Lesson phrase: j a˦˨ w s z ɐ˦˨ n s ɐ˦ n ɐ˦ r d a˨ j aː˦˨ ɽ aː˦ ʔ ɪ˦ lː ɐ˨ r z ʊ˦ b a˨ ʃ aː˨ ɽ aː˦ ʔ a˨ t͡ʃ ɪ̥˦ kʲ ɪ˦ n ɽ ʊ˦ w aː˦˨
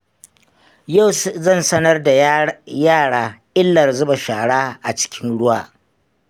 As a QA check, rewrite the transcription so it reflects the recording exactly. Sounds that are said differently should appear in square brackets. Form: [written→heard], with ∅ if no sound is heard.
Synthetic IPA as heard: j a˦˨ w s z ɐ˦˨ n s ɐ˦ n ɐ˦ r d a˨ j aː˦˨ ɽ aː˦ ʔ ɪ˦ lː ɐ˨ r z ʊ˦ b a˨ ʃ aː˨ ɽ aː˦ ʔ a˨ t͡ʃ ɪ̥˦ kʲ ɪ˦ n ɽ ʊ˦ w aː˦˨